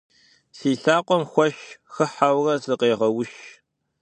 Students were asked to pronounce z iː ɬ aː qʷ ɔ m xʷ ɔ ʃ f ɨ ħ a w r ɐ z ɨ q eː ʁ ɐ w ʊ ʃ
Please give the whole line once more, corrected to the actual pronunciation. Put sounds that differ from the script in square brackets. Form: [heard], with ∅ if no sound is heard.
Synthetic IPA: [s] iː ɬ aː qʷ ɔ m xʷ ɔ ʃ [x] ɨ ħ a w r ɐ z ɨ q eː ʁ ɐ w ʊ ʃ